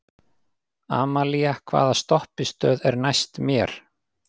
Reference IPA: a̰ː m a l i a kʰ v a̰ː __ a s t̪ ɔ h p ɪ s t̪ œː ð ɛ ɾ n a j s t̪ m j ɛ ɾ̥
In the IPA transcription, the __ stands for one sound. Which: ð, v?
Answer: ð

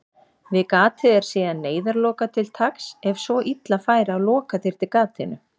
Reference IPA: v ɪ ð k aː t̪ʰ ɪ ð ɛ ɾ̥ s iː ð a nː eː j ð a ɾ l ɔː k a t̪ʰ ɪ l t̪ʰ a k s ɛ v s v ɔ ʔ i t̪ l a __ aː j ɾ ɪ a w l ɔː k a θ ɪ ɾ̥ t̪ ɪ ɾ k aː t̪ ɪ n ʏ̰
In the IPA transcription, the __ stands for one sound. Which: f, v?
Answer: f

